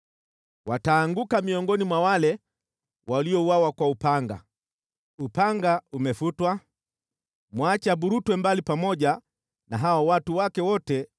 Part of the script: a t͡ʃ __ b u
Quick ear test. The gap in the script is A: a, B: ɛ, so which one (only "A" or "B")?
A